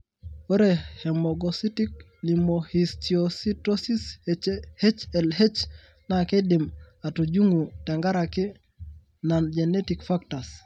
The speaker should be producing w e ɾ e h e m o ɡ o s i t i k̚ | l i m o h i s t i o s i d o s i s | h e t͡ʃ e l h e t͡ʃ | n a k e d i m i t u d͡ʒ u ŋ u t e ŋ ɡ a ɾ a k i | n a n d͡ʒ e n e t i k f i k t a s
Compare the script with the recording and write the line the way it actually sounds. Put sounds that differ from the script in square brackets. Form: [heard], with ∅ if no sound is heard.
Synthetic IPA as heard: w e ɾ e h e m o ɡ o s i t i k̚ | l i m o h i s t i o s i [t] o s i s | h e t͡ʃ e l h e t͡ʃ | n a k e d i m [a] t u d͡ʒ u ŋ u t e ŋ ɡ a ɾ a k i | n a n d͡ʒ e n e t i k f [a] k t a s